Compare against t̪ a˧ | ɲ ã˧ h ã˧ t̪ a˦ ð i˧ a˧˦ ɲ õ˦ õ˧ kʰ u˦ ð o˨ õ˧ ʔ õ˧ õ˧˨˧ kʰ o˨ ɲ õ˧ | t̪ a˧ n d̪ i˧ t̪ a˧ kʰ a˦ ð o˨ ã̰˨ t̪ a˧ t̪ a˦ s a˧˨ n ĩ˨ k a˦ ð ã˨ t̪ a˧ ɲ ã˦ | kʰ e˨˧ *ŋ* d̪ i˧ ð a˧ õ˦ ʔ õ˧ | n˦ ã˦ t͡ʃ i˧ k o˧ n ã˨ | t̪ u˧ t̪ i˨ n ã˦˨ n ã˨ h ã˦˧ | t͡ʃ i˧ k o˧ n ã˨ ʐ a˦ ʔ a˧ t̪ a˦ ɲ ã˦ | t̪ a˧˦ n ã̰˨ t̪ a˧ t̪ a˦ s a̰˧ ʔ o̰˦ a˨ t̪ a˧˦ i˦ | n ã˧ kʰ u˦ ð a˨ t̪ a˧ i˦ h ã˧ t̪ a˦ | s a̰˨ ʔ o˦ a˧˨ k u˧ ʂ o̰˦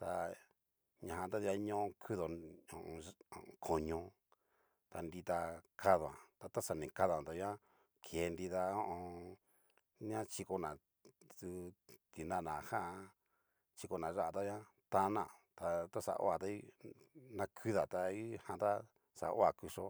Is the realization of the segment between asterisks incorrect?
yes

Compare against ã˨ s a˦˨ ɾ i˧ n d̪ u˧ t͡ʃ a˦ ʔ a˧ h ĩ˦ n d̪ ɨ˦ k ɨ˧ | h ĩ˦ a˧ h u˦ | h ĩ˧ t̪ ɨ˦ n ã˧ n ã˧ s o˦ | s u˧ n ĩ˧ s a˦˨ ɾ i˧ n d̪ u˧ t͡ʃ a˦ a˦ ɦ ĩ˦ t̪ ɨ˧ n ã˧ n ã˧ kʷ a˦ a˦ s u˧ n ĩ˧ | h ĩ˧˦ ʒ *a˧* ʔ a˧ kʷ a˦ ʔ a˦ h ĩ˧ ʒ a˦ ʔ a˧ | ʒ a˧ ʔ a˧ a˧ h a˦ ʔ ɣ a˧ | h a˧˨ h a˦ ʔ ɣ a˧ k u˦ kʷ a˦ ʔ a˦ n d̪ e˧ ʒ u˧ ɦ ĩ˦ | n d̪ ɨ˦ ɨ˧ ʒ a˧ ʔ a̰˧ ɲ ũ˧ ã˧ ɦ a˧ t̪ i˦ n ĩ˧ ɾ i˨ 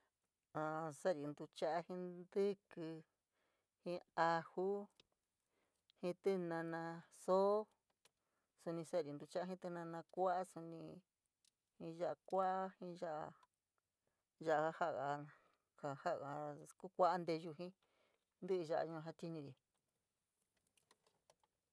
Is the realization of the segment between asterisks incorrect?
no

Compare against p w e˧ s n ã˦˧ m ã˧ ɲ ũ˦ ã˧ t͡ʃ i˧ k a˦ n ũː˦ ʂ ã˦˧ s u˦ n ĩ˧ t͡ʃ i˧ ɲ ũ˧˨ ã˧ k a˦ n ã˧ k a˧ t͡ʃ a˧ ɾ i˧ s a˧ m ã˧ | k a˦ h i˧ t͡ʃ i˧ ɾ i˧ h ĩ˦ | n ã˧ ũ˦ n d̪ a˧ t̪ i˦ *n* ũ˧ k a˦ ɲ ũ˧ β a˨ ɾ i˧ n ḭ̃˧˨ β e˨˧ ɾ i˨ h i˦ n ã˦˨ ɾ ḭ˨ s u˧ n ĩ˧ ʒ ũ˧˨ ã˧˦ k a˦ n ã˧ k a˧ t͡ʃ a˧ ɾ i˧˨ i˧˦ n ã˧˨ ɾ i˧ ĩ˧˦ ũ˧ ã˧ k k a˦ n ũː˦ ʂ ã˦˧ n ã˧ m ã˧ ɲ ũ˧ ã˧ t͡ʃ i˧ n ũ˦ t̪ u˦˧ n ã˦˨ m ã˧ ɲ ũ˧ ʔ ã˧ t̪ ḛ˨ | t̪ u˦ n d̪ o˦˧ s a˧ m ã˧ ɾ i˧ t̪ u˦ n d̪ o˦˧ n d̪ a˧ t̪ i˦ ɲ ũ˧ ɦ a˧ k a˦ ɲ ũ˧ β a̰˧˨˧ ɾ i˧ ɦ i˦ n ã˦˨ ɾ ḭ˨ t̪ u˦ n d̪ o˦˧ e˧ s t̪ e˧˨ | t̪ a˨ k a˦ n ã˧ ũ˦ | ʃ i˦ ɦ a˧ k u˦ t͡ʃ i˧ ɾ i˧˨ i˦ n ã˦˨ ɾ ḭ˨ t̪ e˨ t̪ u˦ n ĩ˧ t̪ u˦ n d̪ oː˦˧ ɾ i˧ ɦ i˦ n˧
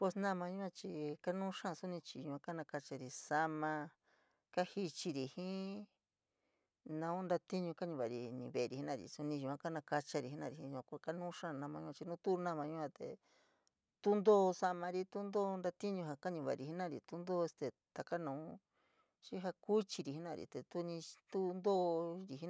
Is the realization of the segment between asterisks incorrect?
yes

